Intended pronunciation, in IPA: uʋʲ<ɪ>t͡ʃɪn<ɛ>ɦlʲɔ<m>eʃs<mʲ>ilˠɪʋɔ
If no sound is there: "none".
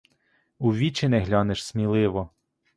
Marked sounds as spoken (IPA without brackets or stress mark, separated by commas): i, ɛ, n, mʲ